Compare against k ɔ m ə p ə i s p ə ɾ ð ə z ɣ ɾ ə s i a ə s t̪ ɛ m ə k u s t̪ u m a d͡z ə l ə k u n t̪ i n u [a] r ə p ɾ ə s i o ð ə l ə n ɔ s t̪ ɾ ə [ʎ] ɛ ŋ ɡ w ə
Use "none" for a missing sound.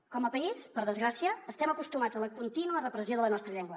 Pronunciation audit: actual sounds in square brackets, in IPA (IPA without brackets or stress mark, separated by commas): ə, ʎ